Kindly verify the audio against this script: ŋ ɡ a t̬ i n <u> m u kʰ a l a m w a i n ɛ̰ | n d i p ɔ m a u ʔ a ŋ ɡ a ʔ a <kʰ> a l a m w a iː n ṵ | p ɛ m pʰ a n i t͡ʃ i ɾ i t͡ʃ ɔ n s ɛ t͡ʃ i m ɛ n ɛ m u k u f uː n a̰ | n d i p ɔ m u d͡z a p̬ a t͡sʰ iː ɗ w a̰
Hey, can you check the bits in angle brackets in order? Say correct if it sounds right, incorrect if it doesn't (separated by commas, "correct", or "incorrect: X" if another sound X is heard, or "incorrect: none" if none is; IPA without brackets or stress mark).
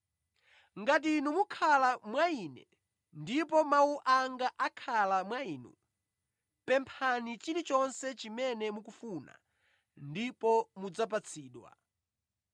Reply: correct, correct